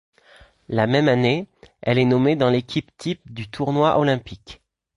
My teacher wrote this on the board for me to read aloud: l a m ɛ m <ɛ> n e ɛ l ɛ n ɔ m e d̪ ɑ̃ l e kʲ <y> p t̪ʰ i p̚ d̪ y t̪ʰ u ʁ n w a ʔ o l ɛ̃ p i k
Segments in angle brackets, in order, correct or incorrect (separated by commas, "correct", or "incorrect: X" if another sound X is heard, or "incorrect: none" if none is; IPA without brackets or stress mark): incorrect: a, incorrect: i